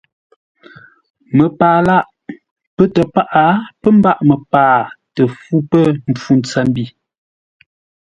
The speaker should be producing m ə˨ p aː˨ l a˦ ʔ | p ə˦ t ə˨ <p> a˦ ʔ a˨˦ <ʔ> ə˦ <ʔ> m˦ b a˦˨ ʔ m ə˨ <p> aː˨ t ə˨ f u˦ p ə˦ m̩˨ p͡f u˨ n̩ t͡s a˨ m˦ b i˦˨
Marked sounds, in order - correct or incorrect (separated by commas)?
correct, incorrect, incorrect, correct